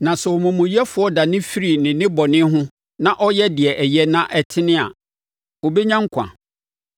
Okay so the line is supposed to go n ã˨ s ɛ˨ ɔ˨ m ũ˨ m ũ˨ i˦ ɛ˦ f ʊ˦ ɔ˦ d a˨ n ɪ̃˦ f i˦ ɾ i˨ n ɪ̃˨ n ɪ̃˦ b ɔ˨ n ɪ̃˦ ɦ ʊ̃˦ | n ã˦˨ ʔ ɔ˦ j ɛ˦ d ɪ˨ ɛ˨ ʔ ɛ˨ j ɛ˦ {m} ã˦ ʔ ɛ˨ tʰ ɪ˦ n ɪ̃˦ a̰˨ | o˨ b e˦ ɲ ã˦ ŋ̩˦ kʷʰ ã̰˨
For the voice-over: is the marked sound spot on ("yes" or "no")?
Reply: no